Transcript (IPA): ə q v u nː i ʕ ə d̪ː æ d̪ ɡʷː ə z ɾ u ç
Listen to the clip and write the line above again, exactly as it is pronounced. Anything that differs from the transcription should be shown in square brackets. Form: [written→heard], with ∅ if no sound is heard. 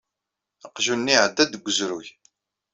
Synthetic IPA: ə q [v→ʒ] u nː i ʕ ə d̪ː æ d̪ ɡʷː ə z ɾ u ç